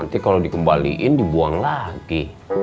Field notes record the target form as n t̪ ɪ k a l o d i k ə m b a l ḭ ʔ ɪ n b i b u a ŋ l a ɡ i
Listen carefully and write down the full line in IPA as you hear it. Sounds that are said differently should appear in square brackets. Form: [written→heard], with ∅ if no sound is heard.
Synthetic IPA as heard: n t̪ [ɪ→i] k a l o d i k ə m b a l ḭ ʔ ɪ n [b→d] i b u a ŋ l a ɡ i

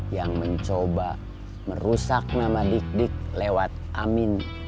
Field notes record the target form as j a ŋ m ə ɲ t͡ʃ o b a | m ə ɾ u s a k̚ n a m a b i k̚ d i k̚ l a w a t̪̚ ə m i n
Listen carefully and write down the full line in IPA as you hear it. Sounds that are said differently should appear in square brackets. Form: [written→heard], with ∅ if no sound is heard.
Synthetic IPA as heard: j a ŋ m ə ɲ t͡ʃ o b a | m ə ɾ u s a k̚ n a m a [b→d] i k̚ d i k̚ l [a→e] w a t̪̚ [ə→a] m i n

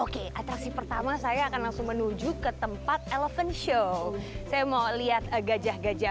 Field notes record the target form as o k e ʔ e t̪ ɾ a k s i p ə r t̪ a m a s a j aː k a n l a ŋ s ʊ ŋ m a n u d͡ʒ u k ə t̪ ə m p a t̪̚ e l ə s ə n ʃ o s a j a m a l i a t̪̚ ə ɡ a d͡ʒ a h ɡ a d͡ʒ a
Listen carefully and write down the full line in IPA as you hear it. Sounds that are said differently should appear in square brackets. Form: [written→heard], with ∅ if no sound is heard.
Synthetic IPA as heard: o k e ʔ [e→a] t̪ ɾ a k s i p ə r t̪ a m a s a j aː k a n l a ŋ s ʊ ŋ m [a→ə] n u d͡ʒ u k ə t̪ ə m p a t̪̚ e l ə [s→f] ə n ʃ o s a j a m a l i a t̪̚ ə ɡ a d͡ʒ a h ɡ a d͡ʒ a

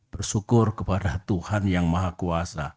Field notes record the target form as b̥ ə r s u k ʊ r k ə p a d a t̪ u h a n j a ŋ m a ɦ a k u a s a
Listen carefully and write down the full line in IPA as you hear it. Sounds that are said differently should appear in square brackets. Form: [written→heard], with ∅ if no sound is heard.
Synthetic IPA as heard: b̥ ə r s u k ʊ r k ə p a d a t̪ u h a n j a ŋ m a ɦ a k u a s a

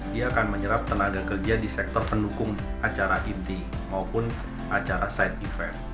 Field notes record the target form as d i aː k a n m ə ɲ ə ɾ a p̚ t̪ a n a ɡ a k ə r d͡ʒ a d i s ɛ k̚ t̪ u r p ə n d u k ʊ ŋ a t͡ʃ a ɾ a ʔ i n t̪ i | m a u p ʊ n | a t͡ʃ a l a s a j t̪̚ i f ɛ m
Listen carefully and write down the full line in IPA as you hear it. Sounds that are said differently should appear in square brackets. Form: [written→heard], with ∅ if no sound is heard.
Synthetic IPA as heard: d i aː k a n m ə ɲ ə ɾ a p̚ t̪ [a→ə] n a ɡ a k ə r d͡ʒ a d i s ɛ k̚ t̪ [u→ɔ] r p ə n d u k ʊ ŋ a t͡ʃ a ɾ a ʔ i n t̪ i | m a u p ʊ n | a t͡ʃ a [l→ɾ] a s a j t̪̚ i f ɛ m

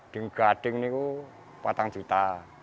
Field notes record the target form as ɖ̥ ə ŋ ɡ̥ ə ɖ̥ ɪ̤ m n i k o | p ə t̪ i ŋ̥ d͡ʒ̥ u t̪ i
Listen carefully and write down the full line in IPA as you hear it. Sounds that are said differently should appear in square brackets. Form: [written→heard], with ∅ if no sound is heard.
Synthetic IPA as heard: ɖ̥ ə ŋ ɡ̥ [ə→a] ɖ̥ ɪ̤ [m→ŋ] n i k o | p [ə→a] t̪ [i→a] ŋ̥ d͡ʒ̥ u t̪ [i→a]

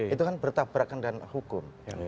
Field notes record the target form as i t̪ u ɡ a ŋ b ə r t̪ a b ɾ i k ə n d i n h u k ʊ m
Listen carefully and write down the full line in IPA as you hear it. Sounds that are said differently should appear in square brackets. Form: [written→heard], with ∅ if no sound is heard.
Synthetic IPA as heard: i t̪ u [ɡ→k] a [ŋ→n] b ə r t̪ a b ɾ [i→a] k [ə→a] n d [i→a] n h u k ʊ m

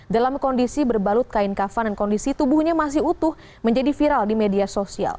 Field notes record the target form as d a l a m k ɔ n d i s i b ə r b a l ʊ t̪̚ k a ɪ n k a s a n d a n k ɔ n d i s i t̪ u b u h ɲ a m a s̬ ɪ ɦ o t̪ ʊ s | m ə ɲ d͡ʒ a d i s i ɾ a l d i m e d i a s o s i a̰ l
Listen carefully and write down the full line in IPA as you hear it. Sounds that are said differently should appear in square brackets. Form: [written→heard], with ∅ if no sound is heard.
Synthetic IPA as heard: d a l a m k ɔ n d i s i b ə r b a l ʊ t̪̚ k a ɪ n k a [s→f] a n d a n k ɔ n d i s i t̪ u b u h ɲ a m a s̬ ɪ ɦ [o→u] t̪ ʊ [s→h] | m ə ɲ d͡ʒ a d i [s→f] i ɾ a l d i m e d i a s o s i a̰ l

